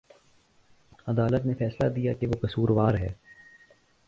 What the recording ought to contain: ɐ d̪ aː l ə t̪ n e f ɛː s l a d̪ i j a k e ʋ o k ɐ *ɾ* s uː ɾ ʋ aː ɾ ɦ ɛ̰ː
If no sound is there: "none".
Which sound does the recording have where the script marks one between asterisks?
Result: none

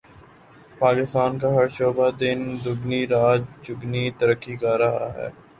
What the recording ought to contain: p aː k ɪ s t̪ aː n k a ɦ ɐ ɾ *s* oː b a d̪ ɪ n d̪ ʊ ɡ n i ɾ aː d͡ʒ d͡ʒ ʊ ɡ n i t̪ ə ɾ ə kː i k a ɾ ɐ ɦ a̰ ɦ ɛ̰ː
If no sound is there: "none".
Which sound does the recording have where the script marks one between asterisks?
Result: ʃ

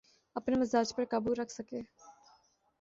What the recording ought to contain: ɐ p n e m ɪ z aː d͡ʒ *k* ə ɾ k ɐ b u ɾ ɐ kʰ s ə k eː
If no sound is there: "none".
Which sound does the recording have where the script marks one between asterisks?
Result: p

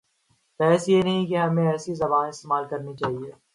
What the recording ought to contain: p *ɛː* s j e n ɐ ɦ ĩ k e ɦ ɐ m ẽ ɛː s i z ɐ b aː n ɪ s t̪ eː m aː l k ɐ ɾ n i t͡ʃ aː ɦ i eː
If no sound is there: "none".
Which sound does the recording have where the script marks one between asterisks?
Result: ɛː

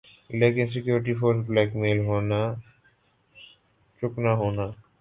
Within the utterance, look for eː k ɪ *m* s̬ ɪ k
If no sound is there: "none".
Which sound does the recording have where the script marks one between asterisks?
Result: n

